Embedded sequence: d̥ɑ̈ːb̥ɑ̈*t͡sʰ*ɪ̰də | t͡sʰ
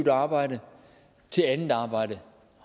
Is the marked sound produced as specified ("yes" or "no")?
no